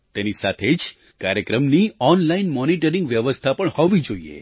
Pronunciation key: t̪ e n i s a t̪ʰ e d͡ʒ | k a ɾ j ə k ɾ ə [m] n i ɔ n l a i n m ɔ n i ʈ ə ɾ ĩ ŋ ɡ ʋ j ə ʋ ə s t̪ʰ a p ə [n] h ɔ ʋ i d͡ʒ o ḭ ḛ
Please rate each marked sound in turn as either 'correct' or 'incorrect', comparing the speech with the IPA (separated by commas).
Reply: correct, incorrect